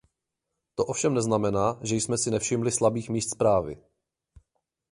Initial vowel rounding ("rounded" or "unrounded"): rounded